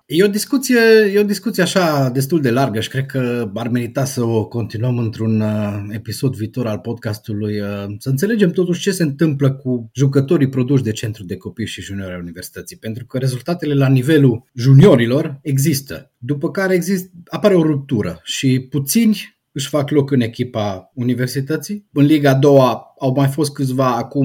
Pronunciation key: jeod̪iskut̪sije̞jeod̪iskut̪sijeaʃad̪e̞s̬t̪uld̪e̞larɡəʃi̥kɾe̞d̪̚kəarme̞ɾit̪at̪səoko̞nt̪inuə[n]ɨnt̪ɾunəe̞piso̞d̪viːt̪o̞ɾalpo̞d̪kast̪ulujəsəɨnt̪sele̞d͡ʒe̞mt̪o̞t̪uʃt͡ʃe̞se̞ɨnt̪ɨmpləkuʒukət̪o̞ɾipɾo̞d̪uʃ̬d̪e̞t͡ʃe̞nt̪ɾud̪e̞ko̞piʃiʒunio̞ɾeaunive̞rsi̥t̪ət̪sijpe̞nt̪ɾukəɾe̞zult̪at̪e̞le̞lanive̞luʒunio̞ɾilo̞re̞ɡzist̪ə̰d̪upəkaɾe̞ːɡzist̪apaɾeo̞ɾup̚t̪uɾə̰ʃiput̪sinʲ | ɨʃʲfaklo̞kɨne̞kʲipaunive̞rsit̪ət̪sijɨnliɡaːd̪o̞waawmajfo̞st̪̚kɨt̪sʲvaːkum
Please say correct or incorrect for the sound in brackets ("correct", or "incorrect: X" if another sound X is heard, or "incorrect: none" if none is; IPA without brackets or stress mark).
incorrect: m